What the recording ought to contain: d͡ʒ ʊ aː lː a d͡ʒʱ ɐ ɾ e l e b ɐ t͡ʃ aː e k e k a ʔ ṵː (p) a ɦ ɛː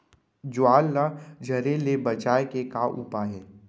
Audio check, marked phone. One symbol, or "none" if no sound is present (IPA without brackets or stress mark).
p